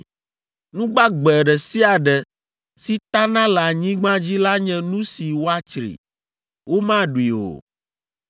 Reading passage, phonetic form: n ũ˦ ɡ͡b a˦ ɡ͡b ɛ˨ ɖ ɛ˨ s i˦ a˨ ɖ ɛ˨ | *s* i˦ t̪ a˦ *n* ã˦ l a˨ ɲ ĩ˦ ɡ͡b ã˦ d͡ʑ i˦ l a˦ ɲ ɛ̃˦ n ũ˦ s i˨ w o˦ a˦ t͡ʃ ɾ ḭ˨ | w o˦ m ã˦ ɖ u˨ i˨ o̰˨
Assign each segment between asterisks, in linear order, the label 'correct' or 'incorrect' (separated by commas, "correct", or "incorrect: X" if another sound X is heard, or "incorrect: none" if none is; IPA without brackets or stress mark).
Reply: correct, correct